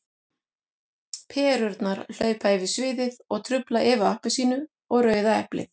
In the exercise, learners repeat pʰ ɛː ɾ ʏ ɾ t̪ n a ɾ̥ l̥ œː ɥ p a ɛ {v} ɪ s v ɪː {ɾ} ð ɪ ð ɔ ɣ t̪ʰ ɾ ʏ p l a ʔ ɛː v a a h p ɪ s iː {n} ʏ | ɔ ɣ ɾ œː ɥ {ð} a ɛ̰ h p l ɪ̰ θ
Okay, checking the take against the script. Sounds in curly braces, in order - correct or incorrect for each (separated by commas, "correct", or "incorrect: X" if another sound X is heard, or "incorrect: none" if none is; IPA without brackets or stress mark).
correct, incorrect: none, correct, correct